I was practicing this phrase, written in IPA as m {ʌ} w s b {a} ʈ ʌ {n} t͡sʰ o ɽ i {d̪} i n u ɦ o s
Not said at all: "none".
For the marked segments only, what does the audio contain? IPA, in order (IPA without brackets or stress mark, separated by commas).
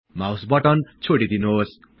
a, ʌ, n, d̪